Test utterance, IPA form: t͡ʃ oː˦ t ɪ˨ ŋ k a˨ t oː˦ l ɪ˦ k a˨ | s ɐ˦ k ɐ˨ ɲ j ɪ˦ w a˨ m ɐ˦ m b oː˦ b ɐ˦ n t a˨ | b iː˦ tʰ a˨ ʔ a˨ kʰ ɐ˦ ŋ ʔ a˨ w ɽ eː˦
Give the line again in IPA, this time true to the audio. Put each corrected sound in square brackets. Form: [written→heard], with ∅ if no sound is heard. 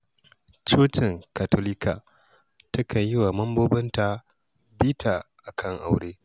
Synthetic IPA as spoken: t͡ʃ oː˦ t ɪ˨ ŋ k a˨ t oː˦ l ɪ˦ k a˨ | [s→t] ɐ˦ k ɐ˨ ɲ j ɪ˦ w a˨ m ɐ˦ m b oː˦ b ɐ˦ n t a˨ | b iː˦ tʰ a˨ ʔ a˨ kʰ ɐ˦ ŋ ʔ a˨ w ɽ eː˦